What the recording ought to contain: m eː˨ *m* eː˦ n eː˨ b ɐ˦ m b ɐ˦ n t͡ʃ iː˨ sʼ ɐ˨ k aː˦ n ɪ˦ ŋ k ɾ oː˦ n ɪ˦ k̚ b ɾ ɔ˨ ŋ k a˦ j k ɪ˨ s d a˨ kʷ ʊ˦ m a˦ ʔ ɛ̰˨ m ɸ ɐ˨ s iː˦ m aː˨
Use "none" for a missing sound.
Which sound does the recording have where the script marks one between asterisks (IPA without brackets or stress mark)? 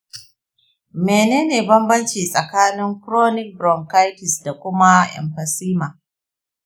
n